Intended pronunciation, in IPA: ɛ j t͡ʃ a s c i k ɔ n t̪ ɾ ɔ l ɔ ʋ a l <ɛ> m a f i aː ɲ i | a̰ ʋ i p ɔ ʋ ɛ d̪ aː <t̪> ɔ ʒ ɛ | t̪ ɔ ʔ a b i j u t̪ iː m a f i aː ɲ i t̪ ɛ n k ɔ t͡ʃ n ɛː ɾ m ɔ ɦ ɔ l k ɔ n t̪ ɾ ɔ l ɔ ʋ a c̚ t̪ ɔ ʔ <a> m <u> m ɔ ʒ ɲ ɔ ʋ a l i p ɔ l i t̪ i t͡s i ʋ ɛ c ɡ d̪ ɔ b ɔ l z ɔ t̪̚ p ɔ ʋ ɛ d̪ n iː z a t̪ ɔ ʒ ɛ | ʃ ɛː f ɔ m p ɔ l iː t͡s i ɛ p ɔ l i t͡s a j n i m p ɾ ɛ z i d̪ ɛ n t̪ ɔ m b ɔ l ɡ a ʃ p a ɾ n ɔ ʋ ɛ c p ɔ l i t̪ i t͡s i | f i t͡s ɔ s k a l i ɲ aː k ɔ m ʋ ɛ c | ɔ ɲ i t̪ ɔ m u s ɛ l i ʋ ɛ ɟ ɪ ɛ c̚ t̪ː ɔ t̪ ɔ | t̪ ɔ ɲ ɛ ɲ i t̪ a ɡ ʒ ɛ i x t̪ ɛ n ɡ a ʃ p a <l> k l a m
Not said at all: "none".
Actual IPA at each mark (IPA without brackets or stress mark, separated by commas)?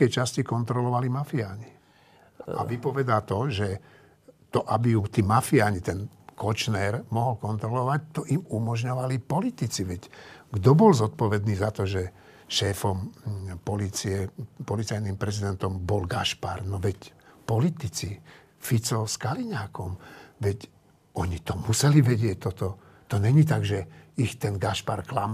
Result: i, t̪, i, u, ɾ